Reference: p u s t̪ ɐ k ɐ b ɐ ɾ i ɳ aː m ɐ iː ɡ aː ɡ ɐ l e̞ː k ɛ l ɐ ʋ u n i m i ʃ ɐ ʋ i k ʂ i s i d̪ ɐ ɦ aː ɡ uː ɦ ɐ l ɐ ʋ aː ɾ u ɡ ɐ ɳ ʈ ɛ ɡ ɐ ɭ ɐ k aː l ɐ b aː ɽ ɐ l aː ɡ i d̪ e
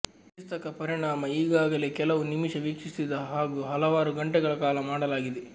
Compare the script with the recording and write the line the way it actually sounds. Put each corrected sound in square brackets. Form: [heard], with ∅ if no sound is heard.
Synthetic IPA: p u s t̪ ɐ k ɐ [p] ɐ ɾ i ɳ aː m ɐ iː ɡ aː ɡ ɐ l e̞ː k ɛ l ɐ ʋ u n i m i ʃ ɐ ʋ i k ʂ i s i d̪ ɐ ɦ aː ɡ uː ɦ ɐ l ɐ ʋ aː ɾ u ɡ ɐ ɳ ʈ ɛ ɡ ɐ ɭ ɐ k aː l ɐ [m] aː ɽ ɐ l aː ɡ i d̪ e